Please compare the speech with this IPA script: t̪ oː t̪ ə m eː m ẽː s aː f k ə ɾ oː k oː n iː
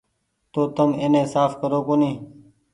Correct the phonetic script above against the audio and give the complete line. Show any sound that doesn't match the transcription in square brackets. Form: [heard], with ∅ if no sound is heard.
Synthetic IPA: t̪ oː t̪ ə m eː [n] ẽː s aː f k ə ɾ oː k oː n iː